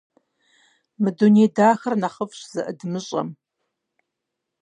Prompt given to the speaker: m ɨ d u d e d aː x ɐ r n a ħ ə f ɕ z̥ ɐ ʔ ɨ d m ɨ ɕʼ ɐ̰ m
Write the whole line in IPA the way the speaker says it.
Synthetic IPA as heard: m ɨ d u n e d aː x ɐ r n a χ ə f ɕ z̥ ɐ ʔ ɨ d m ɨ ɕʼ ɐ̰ m